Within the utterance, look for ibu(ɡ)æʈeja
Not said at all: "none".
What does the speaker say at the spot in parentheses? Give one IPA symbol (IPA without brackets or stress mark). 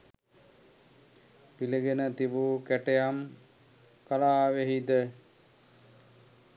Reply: k